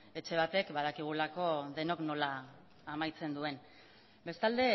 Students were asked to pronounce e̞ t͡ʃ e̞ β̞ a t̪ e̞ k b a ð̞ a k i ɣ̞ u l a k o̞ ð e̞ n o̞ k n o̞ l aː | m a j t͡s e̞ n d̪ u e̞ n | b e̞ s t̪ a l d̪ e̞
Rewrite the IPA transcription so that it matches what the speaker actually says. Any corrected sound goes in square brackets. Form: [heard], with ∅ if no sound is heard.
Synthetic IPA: e̞ t͡ʃ e̞ β̞ a t̪ e̞ k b a ð̞ a k i ɣ̞ u l a k o̞ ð e̞ n o̞ k n o̞ l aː | m a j t͡s e̞ n d̪ u e̞ n | b e̞ s t̪ a l d̪ e̞